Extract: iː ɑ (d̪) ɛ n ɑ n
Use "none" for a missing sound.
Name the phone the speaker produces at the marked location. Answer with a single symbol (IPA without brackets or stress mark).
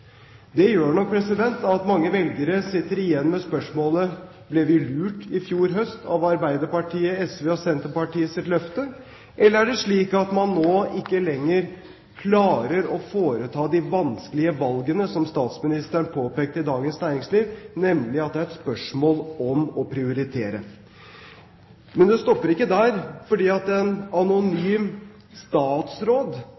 t̪